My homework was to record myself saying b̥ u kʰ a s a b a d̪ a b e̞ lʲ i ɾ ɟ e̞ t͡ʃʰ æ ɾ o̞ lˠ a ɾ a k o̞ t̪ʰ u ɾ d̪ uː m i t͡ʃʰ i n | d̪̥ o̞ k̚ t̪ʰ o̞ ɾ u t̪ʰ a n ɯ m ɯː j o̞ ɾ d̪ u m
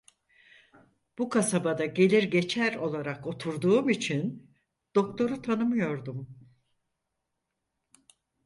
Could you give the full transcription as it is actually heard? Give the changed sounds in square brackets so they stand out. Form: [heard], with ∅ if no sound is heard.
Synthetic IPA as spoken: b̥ u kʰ a s a b a d̪ a [ɟ] e̞ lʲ i ɾ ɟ e̞ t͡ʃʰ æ ɾ o̞ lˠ a ɾ a k o̞ t̪ʰ u ɾ d̪ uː m i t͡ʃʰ i n | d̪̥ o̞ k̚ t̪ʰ o̞ ɾ u t̪ʰ a n ɯ m [ɯ] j o̞ ɾ d̪ u m